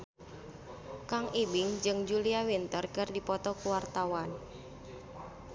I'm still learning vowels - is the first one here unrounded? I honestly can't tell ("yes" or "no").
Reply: yes